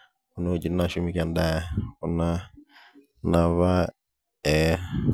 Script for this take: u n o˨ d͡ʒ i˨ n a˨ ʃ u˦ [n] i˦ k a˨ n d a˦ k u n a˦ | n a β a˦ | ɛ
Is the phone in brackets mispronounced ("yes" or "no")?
yes